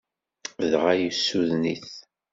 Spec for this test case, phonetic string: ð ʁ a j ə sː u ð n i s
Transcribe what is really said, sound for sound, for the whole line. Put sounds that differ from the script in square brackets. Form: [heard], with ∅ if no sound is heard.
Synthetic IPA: ð ʁ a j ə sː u ð n i [θ]